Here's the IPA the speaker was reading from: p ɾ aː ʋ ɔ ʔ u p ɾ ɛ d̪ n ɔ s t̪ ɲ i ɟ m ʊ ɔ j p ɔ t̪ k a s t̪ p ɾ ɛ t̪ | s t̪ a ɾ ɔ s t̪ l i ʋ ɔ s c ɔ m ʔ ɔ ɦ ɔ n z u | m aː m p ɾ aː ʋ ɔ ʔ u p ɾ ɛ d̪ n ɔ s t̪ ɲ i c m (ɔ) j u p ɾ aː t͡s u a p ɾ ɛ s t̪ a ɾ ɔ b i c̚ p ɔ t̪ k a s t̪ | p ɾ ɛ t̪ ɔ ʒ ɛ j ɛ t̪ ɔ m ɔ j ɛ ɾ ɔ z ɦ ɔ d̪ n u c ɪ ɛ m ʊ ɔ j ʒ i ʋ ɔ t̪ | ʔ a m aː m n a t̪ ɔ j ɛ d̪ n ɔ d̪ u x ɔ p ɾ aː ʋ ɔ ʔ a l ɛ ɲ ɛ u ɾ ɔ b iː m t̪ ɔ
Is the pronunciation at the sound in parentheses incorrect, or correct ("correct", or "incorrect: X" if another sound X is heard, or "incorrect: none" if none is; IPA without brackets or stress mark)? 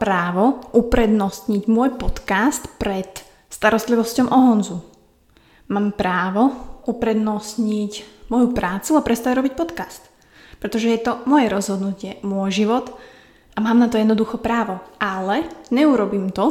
correct